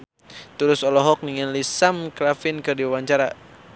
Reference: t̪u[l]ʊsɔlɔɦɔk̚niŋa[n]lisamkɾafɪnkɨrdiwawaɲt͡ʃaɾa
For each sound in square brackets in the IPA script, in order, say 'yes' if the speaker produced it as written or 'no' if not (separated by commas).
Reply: no, yes